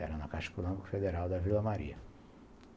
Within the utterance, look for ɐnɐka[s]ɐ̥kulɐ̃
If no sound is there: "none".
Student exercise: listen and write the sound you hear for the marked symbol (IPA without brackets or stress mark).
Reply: ʃ